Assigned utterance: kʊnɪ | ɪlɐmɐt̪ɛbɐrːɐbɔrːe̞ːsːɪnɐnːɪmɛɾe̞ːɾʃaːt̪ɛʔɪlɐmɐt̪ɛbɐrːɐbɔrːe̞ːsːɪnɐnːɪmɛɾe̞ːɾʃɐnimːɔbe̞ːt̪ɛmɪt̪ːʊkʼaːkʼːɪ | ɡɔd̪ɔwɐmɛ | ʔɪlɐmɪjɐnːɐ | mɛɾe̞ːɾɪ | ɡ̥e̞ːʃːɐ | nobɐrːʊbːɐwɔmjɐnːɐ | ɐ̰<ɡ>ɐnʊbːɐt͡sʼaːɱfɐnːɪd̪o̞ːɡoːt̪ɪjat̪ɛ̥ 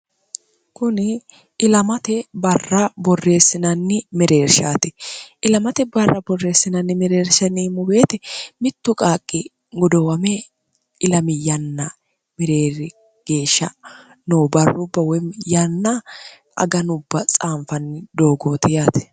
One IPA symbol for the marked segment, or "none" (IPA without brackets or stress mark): ɡ